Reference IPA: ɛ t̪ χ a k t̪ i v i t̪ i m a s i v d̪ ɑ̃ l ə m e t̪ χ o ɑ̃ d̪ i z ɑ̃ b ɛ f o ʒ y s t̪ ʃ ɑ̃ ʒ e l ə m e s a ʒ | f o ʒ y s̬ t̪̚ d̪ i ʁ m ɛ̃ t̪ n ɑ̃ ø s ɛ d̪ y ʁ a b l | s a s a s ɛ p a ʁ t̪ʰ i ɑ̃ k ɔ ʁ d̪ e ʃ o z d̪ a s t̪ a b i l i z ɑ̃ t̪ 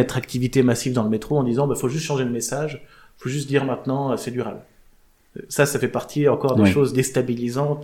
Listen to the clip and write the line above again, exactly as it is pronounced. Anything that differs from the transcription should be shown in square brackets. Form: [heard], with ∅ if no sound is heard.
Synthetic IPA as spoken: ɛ t̪ χ a k t̪ i v i t̪ [e] m a s i v d̪ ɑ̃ l ə m e t̪ χ o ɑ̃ d̪ i z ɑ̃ b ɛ f o ʒ y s t̪ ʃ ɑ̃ ʒ e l ə m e s a ʒ | f o ʒ y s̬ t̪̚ d̪ i ʁ m ɛ̃ t̪ n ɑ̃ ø s ɛ d̪ y ʁ a b l | s a s a [f] ɛ p a ʁ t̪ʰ i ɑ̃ k ɔ ʁ d̪ e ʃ o z d̪ [e] s t̪ a b i l i z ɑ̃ t̪